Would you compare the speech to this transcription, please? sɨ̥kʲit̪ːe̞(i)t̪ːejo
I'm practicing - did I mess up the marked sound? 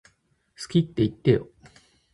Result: no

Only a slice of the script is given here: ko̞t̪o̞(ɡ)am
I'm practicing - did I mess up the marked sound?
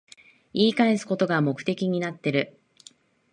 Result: no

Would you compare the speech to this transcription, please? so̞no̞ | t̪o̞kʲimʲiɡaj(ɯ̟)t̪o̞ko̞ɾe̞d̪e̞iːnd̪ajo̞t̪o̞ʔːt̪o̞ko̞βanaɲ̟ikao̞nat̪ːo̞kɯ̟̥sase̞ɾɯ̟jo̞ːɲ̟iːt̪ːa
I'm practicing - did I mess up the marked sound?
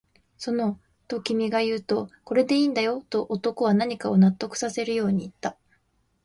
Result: yes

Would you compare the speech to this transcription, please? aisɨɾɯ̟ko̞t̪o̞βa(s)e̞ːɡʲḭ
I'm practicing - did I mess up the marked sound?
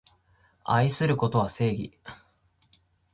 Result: no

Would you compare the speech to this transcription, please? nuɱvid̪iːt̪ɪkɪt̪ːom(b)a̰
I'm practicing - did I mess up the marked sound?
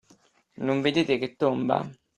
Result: no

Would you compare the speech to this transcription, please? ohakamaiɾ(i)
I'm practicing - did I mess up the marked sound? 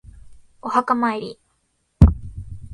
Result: no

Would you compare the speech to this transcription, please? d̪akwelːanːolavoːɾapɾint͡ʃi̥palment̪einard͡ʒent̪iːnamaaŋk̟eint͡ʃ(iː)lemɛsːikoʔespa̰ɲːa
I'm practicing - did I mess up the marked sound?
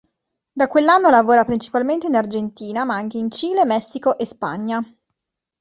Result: no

